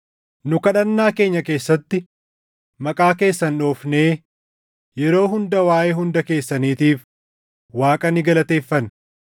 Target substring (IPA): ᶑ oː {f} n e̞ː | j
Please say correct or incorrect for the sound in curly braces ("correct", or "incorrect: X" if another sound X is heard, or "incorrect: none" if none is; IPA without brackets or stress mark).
correct